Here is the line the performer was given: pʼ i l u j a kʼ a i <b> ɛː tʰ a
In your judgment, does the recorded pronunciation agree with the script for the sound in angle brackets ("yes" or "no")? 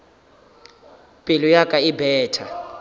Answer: yes